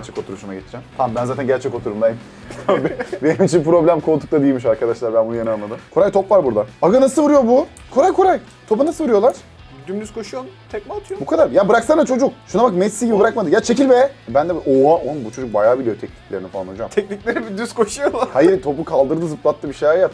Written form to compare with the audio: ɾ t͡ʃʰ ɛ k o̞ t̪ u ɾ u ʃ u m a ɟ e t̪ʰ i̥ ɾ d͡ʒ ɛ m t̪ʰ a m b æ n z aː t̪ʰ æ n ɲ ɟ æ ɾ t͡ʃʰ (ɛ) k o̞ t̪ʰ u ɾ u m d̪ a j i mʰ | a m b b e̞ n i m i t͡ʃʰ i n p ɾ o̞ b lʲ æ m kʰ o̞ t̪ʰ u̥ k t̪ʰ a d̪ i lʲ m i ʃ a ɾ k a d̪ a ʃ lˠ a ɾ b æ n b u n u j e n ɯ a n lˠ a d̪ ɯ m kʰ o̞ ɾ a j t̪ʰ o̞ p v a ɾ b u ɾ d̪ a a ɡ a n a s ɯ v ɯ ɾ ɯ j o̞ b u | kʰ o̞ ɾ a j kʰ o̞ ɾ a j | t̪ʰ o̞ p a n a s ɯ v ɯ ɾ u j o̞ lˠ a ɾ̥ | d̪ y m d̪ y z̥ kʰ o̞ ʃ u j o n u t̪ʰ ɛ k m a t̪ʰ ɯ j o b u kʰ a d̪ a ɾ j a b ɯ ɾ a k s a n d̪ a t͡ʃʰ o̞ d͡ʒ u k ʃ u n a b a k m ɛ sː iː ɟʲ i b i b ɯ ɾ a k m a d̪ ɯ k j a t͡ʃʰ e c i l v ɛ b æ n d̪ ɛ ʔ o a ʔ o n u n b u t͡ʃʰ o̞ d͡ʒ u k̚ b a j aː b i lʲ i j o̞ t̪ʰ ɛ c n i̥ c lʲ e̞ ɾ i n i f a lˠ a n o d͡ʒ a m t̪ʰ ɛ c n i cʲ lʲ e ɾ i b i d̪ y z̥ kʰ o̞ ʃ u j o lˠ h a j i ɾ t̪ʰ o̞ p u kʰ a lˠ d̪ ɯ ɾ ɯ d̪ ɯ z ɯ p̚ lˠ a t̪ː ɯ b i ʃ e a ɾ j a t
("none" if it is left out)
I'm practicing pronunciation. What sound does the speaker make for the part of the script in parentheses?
ɛ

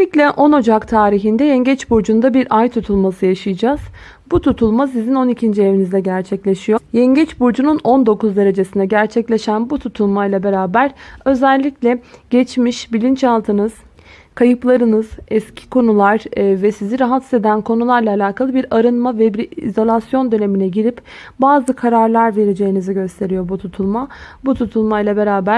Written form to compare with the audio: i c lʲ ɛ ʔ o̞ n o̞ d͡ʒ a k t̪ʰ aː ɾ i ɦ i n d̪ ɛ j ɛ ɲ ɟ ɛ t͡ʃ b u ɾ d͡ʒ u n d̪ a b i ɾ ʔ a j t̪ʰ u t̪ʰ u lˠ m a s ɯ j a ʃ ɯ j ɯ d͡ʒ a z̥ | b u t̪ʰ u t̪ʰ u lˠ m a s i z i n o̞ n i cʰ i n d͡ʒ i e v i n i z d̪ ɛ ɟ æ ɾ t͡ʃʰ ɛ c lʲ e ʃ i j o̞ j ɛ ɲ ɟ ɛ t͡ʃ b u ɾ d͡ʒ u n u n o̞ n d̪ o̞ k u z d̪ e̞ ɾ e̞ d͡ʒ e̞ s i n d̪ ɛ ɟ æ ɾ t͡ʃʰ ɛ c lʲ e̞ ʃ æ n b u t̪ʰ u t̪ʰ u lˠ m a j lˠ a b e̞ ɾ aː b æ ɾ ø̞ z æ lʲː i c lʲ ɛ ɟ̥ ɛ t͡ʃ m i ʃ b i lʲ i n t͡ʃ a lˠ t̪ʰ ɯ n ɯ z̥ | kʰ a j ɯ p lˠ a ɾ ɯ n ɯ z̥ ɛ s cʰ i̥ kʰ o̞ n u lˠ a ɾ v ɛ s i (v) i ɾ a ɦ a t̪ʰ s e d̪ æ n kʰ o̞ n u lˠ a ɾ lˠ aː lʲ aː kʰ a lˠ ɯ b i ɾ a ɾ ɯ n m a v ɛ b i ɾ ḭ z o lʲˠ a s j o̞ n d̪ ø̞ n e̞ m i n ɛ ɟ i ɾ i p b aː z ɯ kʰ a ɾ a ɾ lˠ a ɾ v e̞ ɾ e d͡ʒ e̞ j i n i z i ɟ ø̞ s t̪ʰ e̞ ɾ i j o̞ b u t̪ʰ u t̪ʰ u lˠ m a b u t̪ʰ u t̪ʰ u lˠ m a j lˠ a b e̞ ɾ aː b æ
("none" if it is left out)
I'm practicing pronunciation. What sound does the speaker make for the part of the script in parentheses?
z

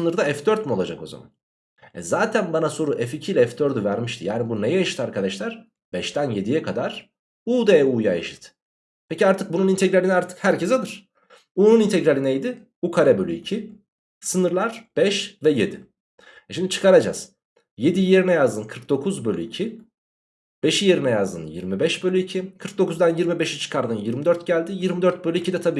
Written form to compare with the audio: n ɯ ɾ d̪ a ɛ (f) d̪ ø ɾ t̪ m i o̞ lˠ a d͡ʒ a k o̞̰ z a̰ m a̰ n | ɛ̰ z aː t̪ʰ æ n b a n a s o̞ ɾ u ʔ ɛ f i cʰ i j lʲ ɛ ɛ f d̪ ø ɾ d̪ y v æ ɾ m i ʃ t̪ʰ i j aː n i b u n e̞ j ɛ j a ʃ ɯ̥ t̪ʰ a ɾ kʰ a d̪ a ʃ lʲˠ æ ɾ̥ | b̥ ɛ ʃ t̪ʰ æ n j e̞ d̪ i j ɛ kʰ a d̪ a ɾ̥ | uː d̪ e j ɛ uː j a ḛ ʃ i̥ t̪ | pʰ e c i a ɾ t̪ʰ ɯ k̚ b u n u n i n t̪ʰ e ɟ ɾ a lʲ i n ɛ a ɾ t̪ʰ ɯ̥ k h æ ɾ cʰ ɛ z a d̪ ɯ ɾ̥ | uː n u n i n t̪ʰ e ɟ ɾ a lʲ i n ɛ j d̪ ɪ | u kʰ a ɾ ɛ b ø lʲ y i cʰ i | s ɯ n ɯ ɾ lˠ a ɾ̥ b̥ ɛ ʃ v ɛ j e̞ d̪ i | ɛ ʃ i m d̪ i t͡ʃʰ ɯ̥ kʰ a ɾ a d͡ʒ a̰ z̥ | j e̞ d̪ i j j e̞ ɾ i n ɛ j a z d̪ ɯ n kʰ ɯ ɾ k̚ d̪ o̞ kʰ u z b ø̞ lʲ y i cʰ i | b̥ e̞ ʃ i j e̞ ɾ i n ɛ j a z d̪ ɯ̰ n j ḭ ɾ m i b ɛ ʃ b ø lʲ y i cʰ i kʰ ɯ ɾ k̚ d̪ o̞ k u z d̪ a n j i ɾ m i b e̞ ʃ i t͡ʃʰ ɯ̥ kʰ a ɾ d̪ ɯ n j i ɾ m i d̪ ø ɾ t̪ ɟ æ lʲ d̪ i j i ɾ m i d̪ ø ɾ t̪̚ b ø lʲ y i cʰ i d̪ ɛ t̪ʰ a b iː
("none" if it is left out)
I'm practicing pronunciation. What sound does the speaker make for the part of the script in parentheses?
f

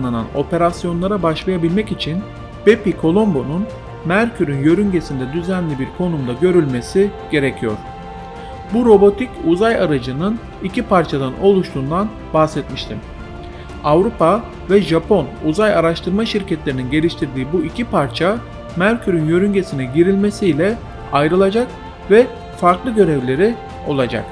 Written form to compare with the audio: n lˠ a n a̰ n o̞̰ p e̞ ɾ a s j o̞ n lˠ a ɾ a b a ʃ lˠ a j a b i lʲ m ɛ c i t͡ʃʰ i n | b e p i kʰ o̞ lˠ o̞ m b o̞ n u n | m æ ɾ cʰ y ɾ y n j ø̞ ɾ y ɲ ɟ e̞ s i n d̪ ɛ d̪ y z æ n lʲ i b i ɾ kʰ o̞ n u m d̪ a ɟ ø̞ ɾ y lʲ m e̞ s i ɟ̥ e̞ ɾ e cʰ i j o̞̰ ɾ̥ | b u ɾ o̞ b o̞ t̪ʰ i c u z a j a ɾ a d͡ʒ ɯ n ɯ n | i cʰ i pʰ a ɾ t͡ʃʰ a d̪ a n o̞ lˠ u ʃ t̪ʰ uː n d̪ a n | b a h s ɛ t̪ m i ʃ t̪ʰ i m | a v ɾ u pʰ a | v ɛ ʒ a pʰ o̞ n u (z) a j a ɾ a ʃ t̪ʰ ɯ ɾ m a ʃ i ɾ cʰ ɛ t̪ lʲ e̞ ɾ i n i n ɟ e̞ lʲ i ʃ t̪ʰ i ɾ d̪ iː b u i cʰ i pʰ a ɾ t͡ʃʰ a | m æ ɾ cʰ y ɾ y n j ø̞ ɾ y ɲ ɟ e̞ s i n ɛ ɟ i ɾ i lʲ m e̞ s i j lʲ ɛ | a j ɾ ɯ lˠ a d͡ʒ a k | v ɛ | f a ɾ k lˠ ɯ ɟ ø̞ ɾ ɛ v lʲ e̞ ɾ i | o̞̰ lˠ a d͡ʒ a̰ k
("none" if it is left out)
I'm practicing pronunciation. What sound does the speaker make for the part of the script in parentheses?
z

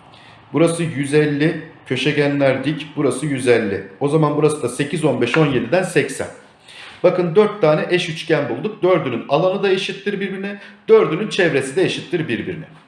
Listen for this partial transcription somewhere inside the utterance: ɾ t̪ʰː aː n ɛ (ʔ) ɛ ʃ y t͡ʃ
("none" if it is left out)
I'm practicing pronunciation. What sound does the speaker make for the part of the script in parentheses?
ʔ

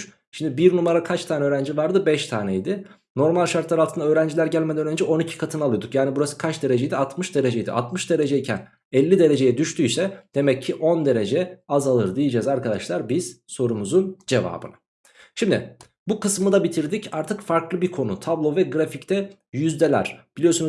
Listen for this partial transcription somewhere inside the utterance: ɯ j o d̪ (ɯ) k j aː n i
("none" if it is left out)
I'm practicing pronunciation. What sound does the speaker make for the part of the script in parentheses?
u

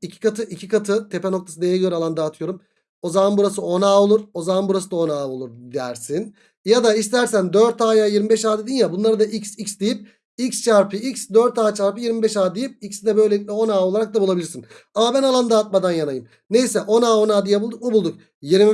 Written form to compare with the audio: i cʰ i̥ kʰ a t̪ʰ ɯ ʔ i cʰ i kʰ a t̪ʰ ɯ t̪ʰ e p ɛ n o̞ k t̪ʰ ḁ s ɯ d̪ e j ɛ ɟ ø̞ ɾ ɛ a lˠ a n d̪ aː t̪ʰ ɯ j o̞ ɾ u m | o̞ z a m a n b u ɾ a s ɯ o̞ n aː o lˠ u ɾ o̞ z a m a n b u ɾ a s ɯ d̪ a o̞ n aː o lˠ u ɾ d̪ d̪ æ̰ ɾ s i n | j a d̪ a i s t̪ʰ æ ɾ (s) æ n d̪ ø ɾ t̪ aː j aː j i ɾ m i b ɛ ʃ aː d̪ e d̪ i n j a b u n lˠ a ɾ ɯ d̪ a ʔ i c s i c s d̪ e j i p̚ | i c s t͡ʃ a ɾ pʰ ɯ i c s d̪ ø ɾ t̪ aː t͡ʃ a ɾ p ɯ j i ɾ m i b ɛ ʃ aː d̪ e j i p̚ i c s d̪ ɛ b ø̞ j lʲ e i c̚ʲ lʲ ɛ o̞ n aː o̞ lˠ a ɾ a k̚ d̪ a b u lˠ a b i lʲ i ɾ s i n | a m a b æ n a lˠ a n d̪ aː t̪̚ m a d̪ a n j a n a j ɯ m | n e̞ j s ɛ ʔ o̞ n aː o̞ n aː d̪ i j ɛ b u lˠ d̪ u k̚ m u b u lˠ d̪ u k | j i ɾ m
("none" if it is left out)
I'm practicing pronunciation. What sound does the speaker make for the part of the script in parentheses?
s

